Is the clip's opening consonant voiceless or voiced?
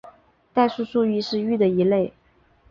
voiceless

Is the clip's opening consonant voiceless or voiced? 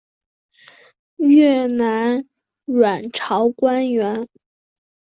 voiced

